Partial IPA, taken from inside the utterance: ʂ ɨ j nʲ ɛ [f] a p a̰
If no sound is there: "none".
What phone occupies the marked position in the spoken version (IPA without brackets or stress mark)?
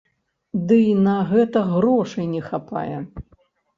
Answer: x